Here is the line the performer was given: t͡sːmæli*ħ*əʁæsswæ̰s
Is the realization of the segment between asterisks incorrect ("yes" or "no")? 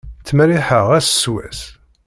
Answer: no